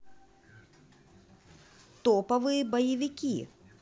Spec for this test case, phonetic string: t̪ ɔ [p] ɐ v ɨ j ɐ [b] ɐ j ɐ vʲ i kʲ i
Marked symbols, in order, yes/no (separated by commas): yes, yes